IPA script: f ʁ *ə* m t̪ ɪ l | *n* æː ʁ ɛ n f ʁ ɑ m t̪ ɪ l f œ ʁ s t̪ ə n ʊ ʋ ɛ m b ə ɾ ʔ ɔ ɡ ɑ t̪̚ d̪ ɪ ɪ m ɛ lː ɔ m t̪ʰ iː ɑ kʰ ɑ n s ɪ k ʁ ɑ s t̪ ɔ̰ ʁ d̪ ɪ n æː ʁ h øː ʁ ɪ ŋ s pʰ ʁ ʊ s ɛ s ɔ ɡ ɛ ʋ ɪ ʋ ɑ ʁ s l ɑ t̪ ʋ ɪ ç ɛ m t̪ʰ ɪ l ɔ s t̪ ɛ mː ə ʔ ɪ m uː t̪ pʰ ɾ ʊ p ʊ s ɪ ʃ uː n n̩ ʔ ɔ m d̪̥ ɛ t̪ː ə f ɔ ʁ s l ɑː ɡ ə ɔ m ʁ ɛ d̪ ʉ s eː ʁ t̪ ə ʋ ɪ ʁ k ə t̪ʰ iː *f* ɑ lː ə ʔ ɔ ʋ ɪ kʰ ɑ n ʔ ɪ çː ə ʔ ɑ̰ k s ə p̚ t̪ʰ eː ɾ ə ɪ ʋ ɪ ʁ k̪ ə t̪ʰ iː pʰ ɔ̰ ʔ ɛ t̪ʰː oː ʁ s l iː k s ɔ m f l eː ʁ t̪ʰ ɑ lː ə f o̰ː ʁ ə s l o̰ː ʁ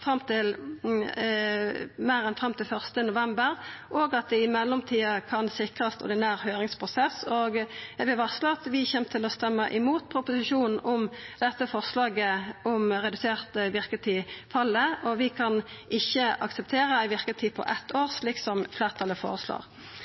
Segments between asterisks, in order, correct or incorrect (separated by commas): incorrect, incorrect, correct